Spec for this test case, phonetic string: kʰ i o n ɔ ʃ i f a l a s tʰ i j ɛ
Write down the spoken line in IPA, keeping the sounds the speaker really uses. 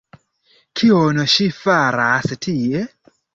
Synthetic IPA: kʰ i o n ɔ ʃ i f a ɾ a s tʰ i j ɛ

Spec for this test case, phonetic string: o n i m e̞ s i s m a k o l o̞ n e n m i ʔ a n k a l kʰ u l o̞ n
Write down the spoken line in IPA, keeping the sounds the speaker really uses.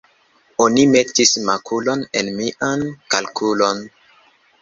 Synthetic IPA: o n i m e̞ t i s m a k u l o̞ n e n m i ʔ a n k a l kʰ u l o̞ n

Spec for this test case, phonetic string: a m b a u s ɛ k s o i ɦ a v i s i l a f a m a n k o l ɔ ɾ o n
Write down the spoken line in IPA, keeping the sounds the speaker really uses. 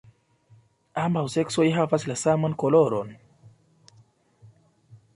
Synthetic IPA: a m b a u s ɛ k s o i ɦ a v a s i l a s a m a n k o l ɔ ɾ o n

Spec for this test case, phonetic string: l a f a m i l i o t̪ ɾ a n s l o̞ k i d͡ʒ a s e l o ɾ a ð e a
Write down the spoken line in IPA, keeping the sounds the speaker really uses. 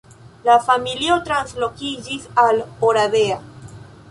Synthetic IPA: l a f a m i l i o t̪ ɾ a n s l o̞ k i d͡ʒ i s a l o ɾ a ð e a

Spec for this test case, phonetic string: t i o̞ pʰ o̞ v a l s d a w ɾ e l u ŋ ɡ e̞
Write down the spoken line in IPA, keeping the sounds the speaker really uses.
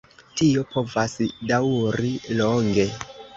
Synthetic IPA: t i o̞ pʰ o̞ v a s d a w ɾ i l o ŋ ɡ e̞

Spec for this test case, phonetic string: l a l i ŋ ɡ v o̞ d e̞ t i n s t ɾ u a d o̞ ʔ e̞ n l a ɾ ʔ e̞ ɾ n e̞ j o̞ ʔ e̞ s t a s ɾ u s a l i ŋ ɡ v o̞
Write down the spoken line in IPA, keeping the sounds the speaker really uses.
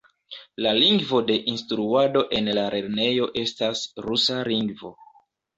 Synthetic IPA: l a l i ŋ ɡ v o̞ d e̞ ʔ i n s t ɾ u a d o̞ ʔ e̞ n l a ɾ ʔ e̞ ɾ n e̞ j o̞ ʔ e̞ s t a s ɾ u s a l i ŋ ɡ v o̞

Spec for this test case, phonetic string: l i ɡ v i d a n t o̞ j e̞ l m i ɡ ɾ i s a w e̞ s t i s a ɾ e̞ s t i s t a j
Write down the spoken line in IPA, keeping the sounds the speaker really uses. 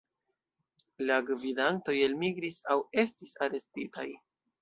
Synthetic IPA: l a ɡ v i d a n t o̞ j e̞ l m i ɡ ɾ i s a w e̞ s t i s a ɾ e̞ s t i t a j

